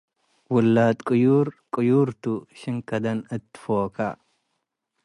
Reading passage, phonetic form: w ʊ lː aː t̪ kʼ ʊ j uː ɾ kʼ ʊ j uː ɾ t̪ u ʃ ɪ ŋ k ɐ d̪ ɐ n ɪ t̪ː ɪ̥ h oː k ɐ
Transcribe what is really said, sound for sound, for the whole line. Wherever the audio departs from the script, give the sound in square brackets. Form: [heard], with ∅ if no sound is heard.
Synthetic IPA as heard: w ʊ lː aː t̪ kʼ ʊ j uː ɾ kʼ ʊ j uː ɾ t̪ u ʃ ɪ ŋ k ɐ d̪ ɐ n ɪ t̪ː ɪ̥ [f] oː k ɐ